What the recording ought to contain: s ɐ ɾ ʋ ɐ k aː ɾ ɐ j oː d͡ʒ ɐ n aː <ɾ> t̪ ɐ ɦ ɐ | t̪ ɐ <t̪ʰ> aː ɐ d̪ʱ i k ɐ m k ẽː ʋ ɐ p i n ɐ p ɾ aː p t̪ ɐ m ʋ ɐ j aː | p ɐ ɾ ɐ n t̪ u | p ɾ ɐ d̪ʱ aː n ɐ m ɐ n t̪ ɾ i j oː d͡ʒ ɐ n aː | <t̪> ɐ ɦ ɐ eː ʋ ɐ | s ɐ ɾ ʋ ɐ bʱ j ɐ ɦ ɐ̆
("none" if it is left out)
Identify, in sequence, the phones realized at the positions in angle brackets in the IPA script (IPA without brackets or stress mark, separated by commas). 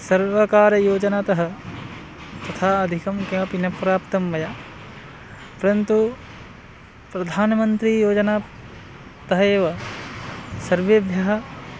none, t̪ʰ, t̪